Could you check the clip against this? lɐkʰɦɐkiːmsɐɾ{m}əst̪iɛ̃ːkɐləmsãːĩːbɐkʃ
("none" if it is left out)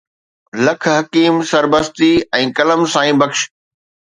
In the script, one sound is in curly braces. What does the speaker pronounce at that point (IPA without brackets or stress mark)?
b